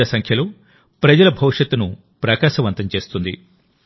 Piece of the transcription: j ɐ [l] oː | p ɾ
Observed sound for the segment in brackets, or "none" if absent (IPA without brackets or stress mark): l